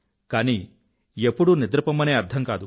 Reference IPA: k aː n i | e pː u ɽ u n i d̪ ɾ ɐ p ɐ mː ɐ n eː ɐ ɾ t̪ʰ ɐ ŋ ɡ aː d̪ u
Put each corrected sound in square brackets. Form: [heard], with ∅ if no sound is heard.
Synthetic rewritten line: k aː n i | e pː u ɽ u n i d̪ ɾ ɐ p ɐ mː ɐ n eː ɐ ɾ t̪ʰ ɐ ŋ [k] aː d̪ u